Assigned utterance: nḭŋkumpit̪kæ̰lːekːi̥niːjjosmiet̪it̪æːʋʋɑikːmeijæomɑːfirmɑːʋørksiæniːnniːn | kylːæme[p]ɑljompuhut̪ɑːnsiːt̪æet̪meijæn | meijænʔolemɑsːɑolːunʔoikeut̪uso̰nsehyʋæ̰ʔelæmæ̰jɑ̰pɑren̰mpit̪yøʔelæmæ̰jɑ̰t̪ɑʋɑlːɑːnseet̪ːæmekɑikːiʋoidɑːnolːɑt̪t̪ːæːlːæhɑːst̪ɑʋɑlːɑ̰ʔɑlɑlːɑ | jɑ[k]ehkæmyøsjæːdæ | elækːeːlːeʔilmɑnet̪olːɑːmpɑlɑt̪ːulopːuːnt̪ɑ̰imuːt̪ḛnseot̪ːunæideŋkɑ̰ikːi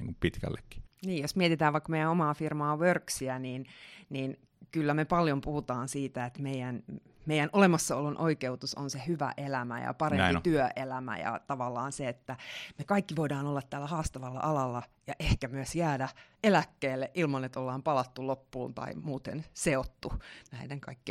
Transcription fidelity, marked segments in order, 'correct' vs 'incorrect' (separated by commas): correct, incorrect